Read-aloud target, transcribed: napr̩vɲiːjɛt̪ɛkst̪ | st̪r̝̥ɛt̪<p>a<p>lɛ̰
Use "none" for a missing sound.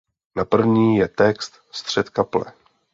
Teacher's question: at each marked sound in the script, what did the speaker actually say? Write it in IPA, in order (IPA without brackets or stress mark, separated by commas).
k, p